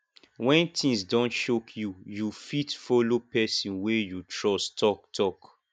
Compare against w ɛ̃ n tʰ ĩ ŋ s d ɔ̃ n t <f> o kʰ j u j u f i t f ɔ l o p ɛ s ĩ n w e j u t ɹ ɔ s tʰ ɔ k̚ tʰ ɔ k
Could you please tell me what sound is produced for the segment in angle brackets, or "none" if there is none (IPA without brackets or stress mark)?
ʃ